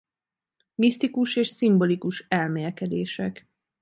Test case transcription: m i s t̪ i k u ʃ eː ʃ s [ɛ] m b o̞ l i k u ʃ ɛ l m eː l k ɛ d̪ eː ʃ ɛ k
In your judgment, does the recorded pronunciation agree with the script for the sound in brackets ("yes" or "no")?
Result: no